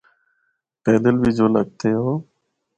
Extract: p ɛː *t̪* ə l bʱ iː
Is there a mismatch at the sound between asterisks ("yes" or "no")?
yes